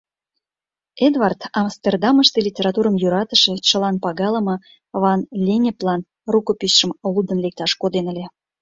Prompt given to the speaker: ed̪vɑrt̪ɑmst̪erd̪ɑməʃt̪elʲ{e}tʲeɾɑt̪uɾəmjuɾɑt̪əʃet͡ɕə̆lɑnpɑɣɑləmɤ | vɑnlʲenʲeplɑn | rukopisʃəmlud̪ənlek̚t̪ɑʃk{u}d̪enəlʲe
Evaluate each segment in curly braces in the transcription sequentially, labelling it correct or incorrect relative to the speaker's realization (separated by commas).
incorrect, incorrect